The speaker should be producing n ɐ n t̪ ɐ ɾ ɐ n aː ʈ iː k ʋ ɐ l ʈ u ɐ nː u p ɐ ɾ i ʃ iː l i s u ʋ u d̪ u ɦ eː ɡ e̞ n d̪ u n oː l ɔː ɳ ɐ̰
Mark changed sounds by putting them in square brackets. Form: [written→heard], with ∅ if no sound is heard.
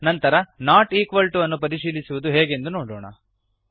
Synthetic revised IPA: n ɐ n t̪ ɐ ɾ ɐ n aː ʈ iː k ʋ ɐ l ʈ u ɐ nː u p ɐ ɾ i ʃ iː l i s u ʋ u d̪ u ɦ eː ɡ e̞ n d̪ u n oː [l→ɽ] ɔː ɳ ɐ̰